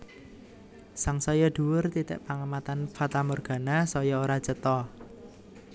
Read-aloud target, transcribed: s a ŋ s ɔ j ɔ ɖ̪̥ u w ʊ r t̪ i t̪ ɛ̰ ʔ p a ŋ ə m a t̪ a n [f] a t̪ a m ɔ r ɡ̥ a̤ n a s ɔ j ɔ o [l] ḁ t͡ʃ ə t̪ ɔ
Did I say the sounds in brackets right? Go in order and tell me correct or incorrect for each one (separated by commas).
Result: correct, incorrect